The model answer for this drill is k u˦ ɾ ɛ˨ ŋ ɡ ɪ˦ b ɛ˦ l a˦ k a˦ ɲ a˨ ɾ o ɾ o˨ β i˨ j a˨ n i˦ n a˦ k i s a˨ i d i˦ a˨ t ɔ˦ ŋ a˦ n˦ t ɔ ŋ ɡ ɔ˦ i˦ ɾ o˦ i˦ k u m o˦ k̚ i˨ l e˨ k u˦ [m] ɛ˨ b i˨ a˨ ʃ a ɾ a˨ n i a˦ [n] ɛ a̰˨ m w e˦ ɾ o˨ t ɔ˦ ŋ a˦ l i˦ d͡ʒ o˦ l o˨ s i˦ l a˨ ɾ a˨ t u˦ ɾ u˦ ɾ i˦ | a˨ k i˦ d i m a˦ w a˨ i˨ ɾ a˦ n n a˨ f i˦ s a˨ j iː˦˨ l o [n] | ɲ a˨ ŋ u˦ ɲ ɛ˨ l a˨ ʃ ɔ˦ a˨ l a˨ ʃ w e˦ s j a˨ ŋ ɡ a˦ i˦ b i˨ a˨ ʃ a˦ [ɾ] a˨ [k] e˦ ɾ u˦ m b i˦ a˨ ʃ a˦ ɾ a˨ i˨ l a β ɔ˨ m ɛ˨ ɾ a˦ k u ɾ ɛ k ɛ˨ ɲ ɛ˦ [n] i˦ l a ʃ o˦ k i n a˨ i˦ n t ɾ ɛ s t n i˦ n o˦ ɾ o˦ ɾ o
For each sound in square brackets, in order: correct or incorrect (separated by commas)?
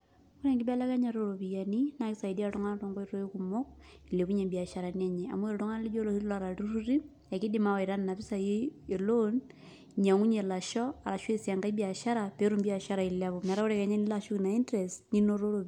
incorrect, incorrect, correct, correct, incorrect, correct